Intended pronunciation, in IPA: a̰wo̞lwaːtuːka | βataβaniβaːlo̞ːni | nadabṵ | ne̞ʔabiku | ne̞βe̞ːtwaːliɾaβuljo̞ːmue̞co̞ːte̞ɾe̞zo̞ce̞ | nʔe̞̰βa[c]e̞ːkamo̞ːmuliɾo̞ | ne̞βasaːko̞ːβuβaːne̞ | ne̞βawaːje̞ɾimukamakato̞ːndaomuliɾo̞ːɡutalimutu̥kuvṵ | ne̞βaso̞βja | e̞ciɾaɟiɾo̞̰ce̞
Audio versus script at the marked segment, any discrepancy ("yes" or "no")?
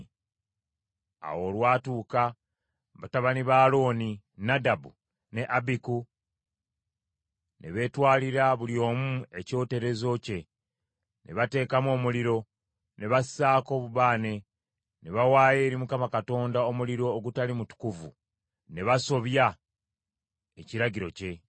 yes